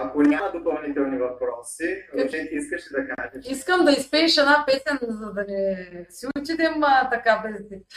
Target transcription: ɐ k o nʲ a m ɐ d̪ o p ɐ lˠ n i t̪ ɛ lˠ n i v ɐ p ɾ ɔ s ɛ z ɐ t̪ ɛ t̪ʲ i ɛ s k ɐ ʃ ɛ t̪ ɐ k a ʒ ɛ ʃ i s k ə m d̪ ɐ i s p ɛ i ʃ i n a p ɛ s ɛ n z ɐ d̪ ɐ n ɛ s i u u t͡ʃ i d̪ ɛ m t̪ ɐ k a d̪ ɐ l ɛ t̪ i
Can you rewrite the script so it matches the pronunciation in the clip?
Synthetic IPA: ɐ k o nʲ a m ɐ d̪ o p ɐ lˠ n i t̪ ɛ lˠ n i v ɐ p ɾ ɔ s i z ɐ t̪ ɛ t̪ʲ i i s k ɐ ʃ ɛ d̪ ɐ k a ʒ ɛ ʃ i s k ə m d̪ ɐ i s p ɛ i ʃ ɛ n a p ɛ s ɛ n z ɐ d̪ ɐ n ɛ s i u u t͡ʃ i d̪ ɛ m t̪ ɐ k a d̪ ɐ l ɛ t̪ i